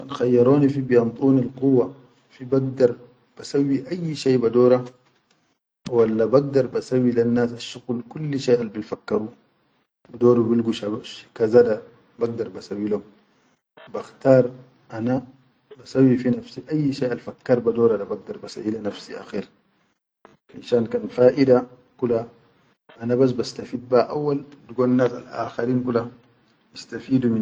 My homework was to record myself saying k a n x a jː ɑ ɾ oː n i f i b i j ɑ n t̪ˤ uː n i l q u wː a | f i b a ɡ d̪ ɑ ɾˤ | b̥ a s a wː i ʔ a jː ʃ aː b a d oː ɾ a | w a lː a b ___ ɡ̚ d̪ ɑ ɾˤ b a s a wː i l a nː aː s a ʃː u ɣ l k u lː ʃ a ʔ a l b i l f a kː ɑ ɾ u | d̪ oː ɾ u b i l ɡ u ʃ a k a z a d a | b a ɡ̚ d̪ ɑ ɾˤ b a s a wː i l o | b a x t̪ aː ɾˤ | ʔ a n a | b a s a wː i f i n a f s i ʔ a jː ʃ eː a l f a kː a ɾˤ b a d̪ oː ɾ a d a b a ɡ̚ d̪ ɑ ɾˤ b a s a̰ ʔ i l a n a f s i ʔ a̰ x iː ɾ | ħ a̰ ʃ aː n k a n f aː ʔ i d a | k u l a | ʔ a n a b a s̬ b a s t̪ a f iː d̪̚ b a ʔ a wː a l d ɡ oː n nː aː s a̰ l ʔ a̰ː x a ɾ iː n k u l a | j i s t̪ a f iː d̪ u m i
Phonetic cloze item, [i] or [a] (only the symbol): a